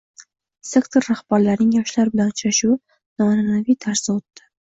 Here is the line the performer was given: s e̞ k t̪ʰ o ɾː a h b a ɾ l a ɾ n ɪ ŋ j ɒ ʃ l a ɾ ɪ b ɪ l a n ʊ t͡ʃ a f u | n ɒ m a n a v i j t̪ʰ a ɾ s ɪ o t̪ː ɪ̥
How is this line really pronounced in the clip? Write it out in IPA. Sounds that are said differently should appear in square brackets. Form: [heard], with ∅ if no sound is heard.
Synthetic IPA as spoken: s e̞ k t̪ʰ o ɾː a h b a ɾ l a ɾ n ɪ ŋ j ɒ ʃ l a ɾ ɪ b ɪ l a n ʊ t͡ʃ a [ʃ] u | n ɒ [n] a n a v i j t̪ʰ a ɾ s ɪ o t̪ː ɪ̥